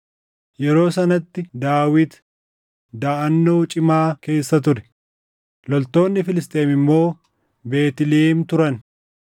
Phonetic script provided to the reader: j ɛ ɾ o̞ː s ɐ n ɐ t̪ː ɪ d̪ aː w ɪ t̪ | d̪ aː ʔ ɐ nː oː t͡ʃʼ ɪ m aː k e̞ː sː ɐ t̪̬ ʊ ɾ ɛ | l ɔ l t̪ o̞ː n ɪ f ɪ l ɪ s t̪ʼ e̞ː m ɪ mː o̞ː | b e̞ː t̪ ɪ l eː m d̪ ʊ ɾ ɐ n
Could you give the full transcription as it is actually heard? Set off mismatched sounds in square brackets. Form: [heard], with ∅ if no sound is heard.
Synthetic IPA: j ɛ ɾ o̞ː s ɐ n ɐ t̪ː ɪ d̪ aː w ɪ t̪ | d̪ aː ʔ ɐ nː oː t͡ʃʼ ɪ m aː k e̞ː sː ɐ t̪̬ ʊ ɾ ɛ | l ɔ l t̪ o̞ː [nː] ɪ f ɪ l ɪ s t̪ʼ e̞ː m ɪ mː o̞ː | b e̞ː t̪ ɪ l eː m [t̪] ʊ ɾ ɐ n

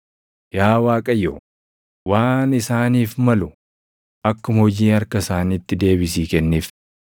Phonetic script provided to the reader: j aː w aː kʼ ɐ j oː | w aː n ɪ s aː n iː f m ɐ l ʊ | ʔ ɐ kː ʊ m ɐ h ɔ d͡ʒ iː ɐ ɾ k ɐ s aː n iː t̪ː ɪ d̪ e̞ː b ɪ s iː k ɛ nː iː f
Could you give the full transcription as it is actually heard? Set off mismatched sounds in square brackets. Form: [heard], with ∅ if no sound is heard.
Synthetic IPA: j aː w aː kʼ ɐ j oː | w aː n ɪ s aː n iː f m ɐ l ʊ | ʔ ɐ kː ʊ m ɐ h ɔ d͡ʒ iː ɐ ɾ k ɐ s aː n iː t̪ː ɪ d̪ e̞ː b ɪ s iː k ɛ nː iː f

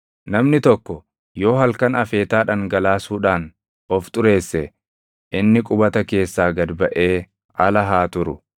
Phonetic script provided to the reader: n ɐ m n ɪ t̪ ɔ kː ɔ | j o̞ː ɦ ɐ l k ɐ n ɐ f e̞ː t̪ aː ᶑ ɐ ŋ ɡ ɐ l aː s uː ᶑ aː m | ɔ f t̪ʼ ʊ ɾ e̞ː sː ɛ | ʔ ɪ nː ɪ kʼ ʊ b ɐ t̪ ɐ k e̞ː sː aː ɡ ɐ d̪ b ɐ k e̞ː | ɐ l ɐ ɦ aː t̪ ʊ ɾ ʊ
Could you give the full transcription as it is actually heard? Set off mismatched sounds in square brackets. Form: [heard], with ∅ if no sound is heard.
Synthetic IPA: n ɐ m n ɪ t̪ ɔ kː ɔ | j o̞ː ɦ ɐ l k ɐ n ɐ f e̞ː t̪ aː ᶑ ɐ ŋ ɡ ɐ l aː s uː ᶑ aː [n] | ɔ f t̪ʼ ʊ ɾ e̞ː sː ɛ | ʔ ɪ nː ɪ kʼ ʊ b ɐ t̪ ɐ k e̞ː sː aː ɡ ɐ d̪ b ɐ [ʔ] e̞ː | ɐ l ɐ ɦ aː t̪ ʊ ɾ ʊ

